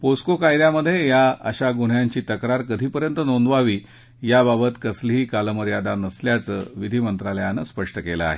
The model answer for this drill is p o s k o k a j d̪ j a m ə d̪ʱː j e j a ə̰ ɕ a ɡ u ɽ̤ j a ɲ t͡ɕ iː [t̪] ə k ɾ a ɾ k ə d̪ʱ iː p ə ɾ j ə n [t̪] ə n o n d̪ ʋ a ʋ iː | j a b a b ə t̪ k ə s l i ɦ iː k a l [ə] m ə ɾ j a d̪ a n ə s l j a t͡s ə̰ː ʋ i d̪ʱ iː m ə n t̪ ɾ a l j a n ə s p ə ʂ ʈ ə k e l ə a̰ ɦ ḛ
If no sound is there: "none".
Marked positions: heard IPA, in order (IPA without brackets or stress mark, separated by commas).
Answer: t̪, t̪, ə